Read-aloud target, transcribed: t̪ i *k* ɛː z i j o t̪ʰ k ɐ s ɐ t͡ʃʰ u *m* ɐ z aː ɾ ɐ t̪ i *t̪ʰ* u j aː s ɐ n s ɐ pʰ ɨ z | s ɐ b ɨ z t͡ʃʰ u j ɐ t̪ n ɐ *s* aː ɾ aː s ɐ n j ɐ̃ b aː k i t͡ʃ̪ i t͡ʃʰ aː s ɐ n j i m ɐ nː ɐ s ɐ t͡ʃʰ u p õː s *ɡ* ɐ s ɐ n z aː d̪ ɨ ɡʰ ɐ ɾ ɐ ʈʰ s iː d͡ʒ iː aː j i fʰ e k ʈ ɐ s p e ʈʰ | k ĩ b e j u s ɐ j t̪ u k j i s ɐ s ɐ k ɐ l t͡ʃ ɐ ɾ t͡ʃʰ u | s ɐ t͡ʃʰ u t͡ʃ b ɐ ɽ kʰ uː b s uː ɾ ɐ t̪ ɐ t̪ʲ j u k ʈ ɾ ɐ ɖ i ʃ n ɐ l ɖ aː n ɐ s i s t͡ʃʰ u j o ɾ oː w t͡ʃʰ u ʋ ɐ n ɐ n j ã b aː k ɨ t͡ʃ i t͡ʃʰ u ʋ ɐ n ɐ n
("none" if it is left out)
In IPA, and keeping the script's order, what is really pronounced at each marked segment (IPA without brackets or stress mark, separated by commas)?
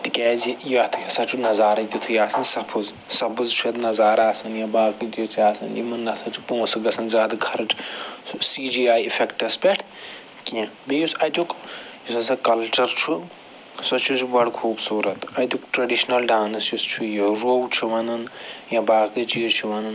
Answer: k, n, t̪ʰ, z, ɡ